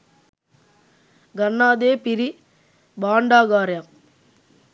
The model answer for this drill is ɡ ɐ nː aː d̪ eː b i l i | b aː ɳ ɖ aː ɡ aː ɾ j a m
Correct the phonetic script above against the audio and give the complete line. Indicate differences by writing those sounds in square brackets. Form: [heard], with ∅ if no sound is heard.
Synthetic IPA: ɡ ɐ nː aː d̪ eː [p] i [ɾ] i | b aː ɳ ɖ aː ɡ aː ɾ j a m